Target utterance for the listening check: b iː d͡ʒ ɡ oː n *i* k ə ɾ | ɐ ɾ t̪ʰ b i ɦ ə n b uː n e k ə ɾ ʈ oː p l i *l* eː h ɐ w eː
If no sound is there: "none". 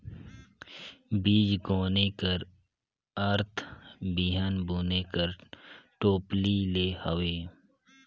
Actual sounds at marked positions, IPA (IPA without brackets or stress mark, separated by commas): e, l